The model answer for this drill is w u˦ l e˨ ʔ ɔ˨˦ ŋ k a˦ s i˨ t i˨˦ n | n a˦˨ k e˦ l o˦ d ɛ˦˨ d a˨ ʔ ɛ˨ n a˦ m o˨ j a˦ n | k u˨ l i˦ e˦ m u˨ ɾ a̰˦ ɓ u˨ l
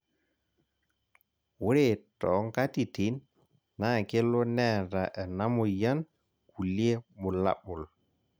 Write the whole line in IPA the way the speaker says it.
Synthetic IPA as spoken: w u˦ ɾ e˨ t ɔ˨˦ ŋ k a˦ t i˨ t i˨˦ n | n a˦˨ k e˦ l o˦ n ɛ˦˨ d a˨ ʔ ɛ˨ n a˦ m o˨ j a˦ n | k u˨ l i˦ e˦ m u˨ l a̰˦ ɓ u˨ l